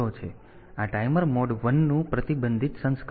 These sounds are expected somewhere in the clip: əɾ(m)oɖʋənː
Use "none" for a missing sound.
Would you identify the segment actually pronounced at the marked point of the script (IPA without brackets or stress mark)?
m